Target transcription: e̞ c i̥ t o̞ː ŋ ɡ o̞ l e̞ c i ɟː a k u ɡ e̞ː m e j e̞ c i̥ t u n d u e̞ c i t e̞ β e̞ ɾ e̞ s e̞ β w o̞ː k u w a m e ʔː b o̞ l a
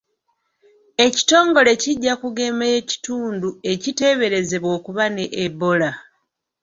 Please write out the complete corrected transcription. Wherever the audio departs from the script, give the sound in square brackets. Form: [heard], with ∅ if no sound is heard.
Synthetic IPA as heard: e̞ c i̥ t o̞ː ŋ ɡ o̞ l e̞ c i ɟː a k u ɡ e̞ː m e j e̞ c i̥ t [uː] n d u e̞ c i t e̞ β e̞ ɾ e̞ [z] e̞ β w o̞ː k u [β] a [n] e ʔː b o̞ l a